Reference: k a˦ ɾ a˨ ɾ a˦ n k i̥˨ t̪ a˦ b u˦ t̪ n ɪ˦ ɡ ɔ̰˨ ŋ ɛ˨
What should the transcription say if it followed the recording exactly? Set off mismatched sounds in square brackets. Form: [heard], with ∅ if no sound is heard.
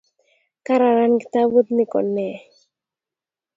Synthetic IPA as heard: k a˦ ɾ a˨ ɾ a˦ n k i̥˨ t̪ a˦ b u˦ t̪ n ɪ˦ [k] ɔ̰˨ [n] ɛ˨